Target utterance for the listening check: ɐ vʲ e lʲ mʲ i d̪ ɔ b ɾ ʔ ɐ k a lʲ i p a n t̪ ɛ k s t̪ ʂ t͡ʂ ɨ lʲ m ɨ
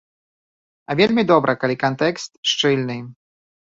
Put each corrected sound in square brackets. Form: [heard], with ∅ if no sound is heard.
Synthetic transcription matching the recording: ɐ vʲ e lʲ mʲ i d̪ ɔ b ɾ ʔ ɐ k a lʲ i [k] a n t̪ ɛ k s t̪ ʂ t͡ʂ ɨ lʲ [n] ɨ

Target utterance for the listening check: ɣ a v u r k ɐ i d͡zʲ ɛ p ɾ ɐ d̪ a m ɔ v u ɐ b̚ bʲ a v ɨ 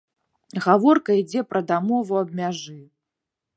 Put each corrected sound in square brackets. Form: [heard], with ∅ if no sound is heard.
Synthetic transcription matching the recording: ɣ a v [ɔ] r k ɐ i d͡zʲ ɛ p ɾ ɐ d̪ a m ɔ v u ɐ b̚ [mʲ] a [ʐ] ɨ

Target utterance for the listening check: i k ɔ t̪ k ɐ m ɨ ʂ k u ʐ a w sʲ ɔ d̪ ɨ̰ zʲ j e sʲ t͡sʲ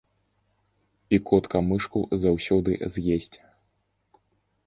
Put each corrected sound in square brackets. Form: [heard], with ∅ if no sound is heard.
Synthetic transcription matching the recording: i k ɔ t̪ k ɐ m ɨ ʂ k u [z] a w sʲ ɔ d̪ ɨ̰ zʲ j e sʲ t͡sʲ

